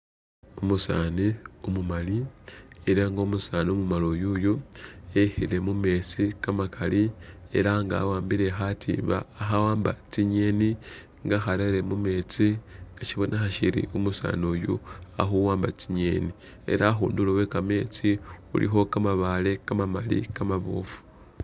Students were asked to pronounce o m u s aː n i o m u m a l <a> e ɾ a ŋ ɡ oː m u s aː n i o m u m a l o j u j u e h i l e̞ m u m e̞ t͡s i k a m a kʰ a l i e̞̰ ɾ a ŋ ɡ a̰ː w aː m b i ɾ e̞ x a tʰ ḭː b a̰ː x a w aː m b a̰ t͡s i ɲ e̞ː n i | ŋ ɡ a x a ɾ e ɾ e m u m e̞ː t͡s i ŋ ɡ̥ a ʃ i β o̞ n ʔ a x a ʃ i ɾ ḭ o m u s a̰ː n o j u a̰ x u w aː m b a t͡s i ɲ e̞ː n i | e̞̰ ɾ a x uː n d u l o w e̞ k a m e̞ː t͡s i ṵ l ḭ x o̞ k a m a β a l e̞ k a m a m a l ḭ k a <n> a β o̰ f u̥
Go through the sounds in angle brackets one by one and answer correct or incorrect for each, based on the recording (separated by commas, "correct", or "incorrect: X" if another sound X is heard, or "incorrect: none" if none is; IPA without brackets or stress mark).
incorrect: i, incorrect: m